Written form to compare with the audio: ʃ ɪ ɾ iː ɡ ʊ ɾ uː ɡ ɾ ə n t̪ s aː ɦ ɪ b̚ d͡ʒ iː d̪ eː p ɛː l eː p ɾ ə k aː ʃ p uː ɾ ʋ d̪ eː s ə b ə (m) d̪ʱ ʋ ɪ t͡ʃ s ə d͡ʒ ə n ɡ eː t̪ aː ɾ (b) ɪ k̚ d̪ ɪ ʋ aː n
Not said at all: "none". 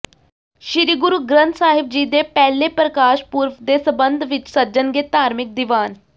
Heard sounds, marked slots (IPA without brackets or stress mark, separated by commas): n, m